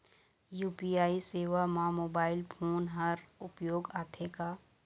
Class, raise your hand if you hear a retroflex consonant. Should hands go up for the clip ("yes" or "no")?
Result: no